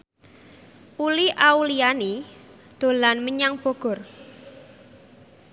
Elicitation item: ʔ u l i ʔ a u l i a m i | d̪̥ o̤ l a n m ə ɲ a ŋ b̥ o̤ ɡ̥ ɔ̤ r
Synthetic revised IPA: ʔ u l i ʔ a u l i a n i | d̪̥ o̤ l a n m ə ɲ a ŋ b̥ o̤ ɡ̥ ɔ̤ r